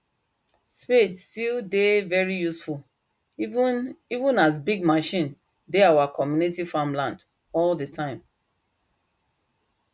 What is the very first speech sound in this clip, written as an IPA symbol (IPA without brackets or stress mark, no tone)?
s